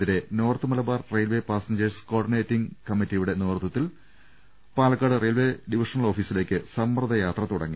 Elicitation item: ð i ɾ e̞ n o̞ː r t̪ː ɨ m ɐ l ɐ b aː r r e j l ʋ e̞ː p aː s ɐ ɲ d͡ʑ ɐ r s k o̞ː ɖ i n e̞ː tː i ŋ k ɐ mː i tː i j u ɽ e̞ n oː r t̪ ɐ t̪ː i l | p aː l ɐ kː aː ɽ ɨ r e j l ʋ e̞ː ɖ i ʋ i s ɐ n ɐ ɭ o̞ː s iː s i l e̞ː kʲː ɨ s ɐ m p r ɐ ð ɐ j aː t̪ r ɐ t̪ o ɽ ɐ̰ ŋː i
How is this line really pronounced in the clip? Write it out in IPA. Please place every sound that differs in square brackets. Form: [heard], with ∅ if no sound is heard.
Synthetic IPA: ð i ɾ e̞ n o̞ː r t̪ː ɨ m ɐ l ɐ b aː r r e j l ʋ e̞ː p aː s ɐ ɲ d͡ʑ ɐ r s k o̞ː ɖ i n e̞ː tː i ŋ k ɐ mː i tː i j u ɽ e̞ n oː r t̪ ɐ t̪ː i l | p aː l ɐ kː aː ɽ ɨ r e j l ʋ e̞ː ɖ i ʋ i [ʂ] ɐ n ɐ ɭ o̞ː [f] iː s i l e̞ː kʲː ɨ s ɐ m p r ɐ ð ɐ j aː t̪ r ɐ t̪ [u] ɽ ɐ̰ ŋː i